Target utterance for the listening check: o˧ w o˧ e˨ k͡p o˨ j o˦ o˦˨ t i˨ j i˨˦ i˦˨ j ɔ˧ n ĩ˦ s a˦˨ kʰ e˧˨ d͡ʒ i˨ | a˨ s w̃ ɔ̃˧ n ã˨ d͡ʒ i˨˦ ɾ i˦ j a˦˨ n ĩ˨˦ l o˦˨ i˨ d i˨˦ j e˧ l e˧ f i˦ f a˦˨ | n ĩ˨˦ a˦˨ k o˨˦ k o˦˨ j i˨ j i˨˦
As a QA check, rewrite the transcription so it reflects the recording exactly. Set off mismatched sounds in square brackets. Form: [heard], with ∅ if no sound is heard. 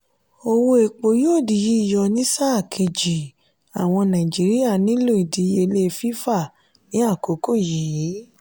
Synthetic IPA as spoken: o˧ w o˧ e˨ k͡p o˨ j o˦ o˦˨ [d] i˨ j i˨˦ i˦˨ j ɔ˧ n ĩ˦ s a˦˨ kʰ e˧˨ d͡ʒ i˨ | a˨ [∅] w̃ ɔ̃˧ n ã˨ d͡ʒ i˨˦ ɾ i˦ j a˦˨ n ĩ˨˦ l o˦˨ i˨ d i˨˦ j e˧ l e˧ f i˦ f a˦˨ | n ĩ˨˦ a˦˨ k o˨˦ k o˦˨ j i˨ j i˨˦